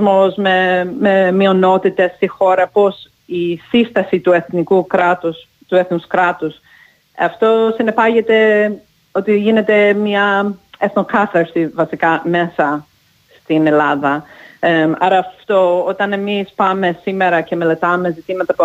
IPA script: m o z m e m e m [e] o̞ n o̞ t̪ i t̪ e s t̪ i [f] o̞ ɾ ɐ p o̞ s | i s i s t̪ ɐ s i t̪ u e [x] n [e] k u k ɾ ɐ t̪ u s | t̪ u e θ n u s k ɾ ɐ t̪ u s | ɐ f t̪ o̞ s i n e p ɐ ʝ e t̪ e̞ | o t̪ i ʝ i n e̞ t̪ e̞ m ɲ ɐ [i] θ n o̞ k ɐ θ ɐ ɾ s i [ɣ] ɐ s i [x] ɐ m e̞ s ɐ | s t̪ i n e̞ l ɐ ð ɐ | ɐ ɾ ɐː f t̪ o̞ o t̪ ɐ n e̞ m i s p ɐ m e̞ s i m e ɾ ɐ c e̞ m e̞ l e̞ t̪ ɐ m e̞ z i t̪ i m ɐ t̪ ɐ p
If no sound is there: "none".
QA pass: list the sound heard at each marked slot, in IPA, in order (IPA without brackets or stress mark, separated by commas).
i, x, θ, i, e, v, k